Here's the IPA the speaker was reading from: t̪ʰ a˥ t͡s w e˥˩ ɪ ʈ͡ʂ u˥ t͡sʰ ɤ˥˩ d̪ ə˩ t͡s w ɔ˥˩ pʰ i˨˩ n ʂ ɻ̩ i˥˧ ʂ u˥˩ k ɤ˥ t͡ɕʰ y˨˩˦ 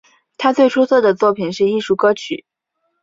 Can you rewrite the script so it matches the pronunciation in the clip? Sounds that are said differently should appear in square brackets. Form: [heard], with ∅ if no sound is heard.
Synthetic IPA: t̪ʰ a˥ t͡s w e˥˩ ɪ [ʈ͡ʂʰ] u˥ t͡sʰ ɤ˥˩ d̪ ə˩ t͡s w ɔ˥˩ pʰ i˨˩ n ʂ ɻ̩ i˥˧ ʂ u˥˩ k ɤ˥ t͡ɕʰ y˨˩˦